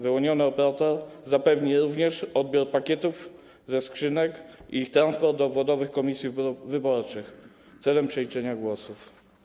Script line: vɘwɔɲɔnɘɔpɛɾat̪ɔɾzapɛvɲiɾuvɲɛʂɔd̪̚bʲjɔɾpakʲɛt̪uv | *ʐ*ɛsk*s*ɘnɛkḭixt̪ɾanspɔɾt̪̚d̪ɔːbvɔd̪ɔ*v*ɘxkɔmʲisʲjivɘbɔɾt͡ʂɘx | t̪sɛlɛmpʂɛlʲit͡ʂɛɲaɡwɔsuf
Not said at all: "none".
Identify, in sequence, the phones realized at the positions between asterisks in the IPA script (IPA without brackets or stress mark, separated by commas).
z, ʂ, v